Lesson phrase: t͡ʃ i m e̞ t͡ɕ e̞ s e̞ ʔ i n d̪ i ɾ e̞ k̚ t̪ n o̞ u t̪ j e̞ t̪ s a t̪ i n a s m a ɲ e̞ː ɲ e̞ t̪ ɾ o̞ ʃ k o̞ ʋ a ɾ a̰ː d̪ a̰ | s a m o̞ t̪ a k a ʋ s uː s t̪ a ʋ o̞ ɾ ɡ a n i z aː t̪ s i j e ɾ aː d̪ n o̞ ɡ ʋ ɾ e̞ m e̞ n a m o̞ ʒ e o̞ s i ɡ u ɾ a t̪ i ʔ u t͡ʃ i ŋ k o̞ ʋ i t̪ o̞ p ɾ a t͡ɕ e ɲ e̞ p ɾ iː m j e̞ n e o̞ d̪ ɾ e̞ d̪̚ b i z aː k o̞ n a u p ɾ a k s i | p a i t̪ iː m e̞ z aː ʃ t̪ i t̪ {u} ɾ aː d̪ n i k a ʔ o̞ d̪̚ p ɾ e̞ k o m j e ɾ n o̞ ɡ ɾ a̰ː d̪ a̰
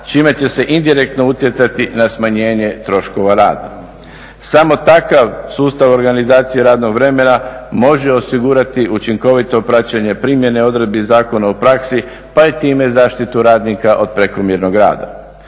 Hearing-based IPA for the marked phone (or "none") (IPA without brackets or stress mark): u